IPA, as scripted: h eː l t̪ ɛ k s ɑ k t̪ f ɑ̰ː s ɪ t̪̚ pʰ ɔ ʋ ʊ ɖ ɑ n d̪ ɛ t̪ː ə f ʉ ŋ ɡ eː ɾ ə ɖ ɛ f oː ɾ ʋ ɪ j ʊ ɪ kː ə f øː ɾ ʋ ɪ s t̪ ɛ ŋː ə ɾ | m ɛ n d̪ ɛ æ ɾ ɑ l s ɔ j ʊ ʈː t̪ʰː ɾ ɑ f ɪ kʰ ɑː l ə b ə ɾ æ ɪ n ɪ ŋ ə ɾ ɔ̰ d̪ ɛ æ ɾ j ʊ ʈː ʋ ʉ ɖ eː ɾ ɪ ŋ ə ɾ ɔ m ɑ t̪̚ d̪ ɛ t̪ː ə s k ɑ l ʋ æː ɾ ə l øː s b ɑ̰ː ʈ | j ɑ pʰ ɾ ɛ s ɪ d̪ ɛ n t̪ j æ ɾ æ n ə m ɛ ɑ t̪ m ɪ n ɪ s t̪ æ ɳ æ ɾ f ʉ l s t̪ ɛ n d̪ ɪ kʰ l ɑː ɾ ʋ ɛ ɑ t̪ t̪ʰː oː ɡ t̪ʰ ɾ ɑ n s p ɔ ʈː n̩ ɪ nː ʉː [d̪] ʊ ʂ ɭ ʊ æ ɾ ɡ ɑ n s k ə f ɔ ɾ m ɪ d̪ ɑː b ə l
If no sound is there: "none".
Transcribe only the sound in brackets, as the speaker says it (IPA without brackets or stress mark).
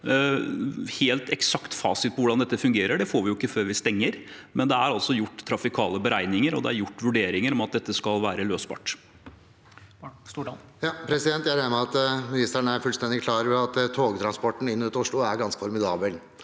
t̪